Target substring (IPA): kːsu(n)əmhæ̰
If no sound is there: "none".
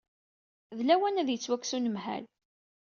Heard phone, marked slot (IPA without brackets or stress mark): n